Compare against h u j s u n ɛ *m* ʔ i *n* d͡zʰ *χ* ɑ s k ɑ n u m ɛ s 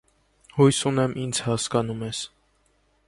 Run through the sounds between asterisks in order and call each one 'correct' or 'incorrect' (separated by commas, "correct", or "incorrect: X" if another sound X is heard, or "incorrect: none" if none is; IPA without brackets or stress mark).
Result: correct, correct, incorrect: h